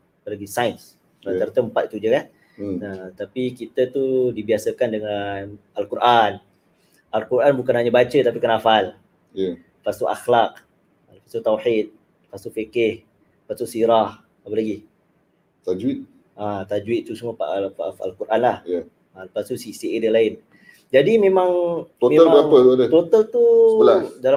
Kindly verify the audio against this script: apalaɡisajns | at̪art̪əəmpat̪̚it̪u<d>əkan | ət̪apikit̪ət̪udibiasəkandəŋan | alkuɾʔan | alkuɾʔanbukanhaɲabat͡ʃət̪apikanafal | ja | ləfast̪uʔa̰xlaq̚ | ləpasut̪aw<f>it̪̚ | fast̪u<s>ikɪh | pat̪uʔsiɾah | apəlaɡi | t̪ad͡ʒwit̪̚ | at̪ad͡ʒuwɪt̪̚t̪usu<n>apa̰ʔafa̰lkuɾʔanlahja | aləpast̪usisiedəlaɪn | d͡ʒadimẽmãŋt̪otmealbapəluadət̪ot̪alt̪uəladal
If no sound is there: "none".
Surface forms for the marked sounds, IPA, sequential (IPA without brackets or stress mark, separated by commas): d͡ʒ, ħ, f, m